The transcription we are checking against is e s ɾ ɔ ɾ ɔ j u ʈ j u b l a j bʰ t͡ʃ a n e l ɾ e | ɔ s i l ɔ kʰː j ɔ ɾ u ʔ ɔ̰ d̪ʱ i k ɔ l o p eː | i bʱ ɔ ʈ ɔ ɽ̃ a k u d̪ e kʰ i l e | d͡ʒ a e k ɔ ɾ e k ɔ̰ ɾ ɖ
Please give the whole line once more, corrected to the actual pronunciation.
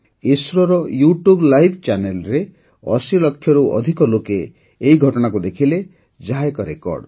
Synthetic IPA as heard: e s ɾ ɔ ɾ ɔ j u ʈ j u b l a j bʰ t͡ʃ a n e l ɾ e | ɔ s i l ɔ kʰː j ɔ ɾ u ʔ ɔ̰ d̪ʱ i k ɔ l o k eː | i ɡʱ ɔ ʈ ɔ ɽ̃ a k u d̪ e kʰ i l e | d͡ʒ a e k ɔ ɾ e k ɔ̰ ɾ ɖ